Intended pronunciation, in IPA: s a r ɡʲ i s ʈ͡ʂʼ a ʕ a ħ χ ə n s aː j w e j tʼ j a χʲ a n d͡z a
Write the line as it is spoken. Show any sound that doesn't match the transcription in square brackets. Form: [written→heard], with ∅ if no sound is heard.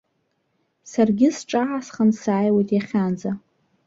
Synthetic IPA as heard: s a r ɡʲ [i→ɪ] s ʈ͡ʂʼ a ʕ a [ħ→s] χ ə n s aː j w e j tʼ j a χʲ a n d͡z a